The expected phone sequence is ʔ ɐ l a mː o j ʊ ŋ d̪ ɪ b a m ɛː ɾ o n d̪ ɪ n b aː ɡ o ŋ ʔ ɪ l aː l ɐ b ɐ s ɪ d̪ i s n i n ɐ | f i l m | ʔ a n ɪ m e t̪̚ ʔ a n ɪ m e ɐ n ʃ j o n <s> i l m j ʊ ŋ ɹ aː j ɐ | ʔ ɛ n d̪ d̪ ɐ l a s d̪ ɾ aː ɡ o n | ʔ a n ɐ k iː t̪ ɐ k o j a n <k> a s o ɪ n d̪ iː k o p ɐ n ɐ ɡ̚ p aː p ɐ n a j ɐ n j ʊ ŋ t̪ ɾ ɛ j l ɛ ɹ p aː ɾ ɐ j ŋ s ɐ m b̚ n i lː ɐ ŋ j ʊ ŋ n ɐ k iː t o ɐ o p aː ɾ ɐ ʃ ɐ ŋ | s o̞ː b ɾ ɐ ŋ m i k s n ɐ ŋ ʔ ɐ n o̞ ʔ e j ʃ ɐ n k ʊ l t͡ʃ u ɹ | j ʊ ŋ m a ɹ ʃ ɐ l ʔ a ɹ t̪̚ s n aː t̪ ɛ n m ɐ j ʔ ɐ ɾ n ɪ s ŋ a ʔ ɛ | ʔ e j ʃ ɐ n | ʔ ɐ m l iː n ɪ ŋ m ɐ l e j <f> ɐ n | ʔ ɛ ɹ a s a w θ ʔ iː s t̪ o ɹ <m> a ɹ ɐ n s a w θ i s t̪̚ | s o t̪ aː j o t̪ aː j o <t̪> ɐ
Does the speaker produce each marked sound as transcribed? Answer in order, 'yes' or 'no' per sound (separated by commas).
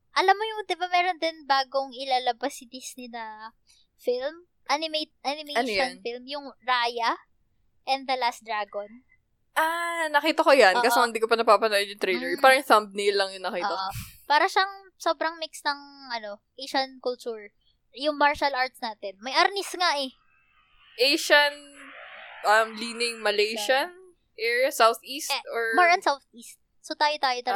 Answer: no, yes, no, yes, yes